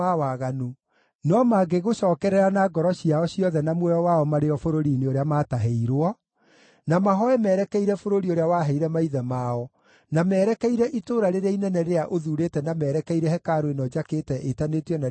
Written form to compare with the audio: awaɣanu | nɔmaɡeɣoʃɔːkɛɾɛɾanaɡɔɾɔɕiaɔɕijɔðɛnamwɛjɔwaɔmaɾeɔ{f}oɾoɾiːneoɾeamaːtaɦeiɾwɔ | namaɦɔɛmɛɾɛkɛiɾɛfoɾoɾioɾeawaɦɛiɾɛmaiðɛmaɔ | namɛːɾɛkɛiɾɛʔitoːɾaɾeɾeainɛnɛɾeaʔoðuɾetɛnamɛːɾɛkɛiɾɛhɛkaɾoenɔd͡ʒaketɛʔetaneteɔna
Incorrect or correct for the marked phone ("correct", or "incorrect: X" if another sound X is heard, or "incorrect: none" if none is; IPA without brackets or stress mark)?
correct